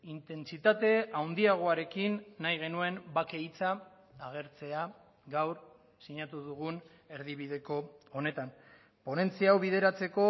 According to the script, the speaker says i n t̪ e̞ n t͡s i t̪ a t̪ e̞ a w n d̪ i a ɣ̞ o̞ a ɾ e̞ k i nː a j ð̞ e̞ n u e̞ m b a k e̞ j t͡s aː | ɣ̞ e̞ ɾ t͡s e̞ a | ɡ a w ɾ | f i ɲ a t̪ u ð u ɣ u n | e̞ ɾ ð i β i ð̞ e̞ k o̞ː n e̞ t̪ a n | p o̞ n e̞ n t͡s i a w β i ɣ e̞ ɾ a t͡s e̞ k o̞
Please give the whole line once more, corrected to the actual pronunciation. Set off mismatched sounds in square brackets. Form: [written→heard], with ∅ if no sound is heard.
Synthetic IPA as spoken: i n t̪ e̞ n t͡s i t̪ a t̪ e̞ a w n d̪ i a ɣ̞ o̞ a ɾ e̞ k i nː a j [ð̞→ɣ̞] e̞ n u e̞ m b a k e̞ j t͡s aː | ɣ̞ e̞ ɾ t͡s e̞ a | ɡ a w ɾ | [f→s] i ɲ a t̪ u ð u ɣ u n | e̞ ɾ ð i β i ð̞ e̞ k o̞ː n e̞ t̪ a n | p o̞ n e̞ n t͡s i a w β i [ɣ→ð] e̞ ɾ a t͡s e̞ k o̞

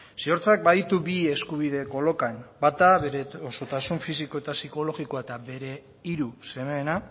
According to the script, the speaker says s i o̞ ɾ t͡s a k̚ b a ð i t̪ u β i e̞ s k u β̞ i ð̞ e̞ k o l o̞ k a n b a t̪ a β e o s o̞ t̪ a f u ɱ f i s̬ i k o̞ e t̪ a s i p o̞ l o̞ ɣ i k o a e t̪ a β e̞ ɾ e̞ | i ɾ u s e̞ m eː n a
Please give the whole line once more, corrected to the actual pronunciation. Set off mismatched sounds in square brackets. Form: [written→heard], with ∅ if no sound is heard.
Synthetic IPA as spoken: s i o̞ ɾ t͡s a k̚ b a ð i t̪ u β i e̞ s k u β̞ i ð̞ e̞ k o l o̞ k a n b a t̪ a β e o s o̞ t̪ a [f→s] u ɱ f i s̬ i k o̞ e t̪ a s i [p→k] o̞ l o̞ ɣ i k o a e t̪ a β e̞ ɾ e̞ | i ɾ u s e̞ m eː n a

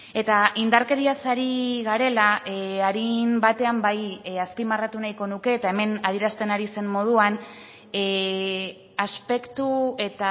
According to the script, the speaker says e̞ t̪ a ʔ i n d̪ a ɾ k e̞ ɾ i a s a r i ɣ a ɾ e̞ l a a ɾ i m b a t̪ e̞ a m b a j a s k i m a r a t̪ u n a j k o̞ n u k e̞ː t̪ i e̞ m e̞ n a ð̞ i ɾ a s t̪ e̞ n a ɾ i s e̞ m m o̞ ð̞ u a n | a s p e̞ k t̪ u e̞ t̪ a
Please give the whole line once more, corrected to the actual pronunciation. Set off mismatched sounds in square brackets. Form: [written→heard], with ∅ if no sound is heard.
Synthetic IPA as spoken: e̞ t̪ a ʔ i n d̪ a ɾ k e̞ ɾ i a s a [r→ɾ] i ɣ a ɾ e̞ l a a ɾ i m b a t̪ e̞ a m b a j a s [k→p] i m a r a t̪ u n a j k o̞ n u k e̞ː t̪ [i→a] e̞ m e̞ n a ð̞ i ɾ a s t̪ e̞ n a ɾ i s e̞ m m o̞ ð̞ u a n | a s p e̞ k t̪ u e̞ t̪ a

